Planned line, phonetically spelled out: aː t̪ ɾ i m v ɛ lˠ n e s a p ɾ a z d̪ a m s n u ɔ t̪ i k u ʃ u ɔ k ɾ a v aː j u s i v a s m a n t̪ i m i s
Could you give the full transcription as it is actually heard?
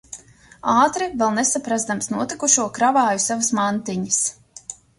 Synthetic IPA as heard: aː t̪ ɾ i v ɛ lˠ n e s a p ɾ a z d̪ a m s n u ɔ t̪ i k u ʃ u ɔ k ɾ a v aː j u s a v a s m a n t̪ i ɲ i s